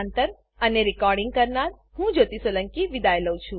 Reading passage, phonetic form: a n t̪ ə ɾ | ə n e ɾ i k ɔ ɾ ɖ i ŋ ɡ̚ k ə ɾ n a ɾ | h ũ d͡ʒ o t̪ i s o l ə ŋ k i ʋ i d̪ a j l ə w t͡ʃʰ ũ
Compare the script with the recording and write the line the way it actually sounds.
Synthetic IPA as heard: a n t̪ ə ɾ | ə n e ɾ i k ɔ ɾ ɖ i ŋ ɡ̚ k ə ɾ n a ɾ | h ũ d͡ʒ o t̪ i s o l ə ŋ k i ʋ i d̪ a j l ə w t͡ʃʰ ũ